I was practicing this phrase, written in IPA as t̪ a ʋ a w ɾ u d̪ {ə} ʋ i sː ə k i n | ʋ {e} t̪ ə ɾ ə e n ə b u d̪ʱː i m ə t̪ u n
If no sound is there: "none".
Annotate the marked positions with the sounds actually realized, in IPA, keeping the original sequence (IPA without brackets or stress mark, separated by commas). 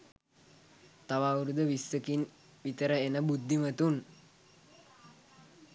ə, i